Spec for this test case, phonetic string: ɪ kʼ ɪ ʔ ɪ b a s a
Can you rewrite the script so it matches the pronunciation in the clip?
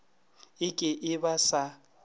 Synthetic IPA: ɪ kʼ ɪ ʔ ɪ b a s a